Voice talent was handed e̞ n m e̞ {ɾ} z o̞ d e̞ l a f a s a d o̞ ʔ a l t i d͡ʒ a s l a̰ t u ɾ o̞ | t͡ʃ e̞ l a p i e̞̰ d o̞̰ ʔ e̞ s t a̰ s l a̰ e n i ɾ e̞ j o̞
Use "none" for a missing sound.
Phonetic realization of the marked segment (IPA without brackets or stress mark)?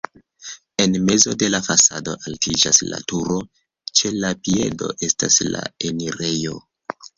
none